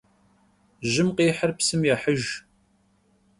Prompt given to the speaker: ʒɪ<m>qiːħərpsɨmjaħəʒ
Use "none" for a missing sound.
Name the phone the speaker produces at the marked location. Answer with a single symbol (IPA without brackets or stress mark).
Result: m